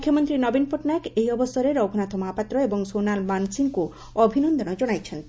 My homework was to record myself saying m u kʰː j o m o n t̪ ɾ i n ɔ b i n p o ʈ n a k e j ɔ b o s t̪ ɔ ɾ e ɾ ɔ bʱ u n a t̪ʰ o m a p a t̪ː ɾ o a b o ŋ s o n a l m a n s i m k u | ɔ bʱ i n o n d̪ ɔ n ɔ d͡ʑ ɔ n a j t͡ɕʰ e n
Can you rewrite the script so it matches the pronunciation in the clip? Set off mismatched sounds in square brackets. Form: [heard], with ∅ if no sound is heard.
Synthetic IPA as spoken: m u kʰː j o m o n t̪ ɾ i n ɔ b i n p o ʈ n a k e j ɔ b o s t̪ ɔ ɾ e ɾ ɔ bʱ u n a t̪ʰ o m a p a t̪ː ɾ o [e] b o ŋ s o n a l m a n s i [ŋ] k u | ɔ bʱ i n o n d̪ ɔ n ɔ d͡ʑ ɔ n a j t͡ɕʰ e n